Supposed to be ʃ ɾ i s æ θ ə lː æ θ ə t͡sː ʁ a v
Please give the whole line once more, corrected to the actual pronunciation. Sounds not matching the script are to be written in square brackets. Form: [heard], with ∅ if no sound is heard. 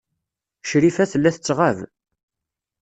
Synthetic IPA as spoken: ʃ ɾ i [f] æ θ ə lː æ θ ə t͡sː ʁ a v